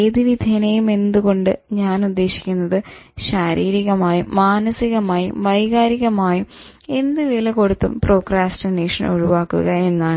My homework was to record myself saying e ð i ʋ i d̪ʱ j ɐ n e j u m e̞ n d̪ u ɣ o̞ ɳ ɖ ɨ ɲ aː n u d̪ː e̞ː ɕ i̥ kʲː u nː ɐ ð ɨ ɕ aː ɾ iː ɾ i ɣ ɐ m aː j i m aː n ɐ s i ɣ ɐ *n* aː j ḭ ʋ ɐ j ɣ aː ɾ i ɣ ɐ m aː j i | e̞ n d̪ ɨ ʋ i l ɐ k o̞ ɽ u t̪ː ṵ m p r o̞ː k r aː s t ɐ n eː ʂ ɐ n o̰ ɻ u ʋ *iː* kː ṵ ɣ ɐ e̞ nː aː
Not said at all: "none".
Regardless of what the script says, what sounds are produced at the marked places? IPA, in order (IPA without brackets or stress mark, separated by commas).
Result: m, aː